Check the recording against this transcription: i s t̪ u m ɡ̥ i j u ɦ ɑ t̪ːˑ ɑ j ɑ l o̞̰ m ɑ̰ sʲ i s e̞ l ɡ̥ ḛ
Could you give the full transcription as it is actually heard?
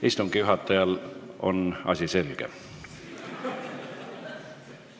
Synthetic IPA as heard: i s t̪ u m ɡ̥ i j u ɦ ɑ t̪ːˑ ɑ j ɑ l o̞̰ n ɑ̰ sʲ i s e̞ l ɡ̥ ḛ